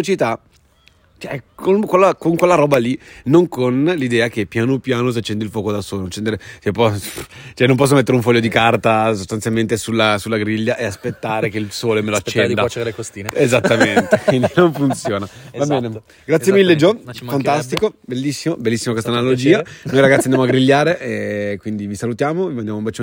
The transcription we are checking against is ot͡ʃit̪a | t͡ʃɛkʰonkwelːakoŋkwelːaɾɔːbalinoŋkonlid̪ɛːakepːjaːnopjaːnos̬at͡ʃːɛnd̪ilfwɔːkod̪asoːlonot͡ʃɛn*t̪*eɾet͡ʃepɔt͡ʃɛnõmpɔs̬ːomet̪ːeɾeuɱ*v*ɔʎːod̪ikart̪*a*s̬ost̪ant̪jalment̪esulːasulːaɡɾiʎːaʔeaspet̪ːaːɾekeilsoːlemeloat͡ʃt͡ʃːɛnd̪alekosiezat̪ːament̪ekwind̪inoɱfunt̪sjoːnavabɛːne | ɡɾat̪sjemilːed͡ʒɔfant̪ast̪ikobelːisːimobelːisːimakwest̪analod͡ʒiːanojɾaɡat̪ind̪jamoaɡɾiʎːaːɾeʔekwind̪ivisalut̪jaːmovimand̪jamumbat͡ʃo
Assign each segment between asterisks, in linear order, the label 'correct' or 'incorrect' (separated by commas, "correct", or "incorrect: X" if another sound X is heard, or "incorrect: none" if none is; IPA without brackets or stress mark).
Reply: incorrect: d̪, incorrect: f, correct